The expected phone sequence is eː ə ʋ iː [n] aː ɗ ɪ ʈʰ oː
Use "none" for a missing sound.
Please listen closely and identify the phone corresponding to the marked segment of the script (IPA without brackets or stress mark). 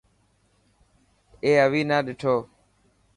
n